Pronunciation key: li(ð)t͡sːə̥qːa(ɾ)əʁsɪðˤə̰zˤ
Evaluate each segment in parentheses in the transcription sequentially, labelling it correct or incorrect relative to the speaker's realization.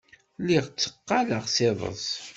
incorrect: ʁ, incorrect: l

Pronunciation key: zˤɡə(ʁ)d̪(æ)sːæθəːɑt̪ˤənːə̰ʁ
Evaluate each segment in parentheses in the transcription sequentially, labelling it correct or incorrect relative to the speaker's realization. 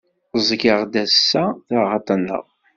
correct, correct

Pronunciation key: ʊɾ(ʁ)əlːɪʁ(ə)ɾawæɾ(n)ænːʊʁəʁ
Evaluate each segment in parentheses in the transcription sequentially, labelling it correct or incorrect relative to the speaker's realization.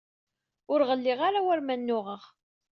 correct, incorrect: a, incorrect: m

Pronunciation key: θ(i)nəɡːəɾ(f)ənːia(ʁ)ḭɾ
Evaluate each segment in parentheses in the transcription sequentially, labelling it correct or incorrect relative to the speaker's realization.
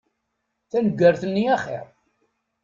incorrect: æ, incorrect: θ, incorrect: χ

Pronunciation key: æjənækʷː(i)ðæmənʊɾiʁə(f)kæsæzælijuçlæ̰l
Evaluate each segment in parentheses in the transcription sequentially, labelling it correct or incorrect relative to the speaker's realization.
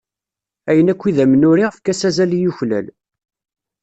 correct, correct

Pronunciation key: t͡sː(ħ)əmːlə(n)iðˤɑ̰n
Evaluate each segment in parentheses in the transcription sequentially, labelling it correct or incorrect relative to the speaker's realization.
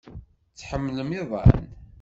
correct, incorrect: m

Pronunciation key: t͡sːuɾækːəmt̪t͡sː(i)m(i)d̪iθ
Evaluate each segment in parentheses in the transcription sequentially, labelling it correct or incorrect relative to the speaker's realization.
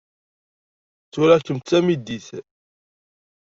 incorrect: æ, correct

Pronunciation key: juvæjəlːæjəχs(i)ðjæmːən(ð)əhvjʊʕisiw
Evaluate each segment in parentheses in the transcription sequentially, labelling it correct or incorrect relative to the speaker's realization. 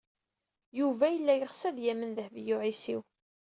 incorrect: æ, correct

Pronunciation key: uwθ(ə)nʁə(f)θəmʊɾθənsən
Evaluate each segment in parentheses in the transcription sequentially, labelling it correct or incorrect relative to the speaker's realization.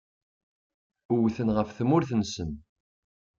correct, correct

